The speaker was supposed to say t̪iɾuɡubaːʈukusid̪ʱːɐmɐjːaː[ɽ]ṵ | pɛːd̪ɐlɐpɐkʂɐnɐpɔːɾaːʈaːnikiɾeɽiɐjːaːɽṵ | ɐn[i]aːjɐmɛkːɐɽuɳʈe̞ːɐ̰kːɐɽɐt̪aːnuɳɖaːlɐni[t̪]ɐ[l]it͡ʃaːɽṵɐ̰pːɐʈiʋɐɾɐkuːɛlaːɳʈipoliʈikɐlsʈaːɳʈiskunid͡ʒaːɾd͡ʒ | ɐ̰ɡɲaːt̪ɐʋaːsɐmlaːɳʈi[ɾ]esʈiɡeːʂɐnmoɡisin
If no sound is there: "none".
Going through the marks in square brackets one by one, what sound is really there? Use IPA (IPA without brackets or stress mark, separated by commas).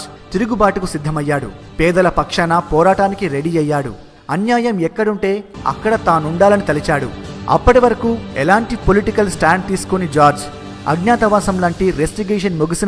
ɽ, j, t̪, l, ɾ